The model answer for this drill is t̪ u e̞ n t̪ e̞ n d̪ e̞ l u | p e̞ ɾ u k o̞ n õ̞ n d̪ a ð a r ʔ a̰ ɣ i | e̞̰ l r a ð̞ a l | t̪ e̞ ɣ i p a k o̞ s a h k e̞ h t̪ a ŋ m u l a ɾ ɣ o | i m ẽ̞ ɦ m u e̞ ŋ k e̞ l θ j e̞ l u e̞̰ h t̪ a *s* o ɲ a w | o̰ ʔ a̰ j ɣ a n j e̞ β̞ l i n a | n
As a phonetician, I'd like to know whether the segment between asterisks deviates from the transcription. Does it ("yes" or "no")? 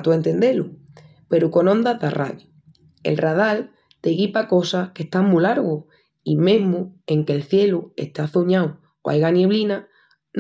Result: yes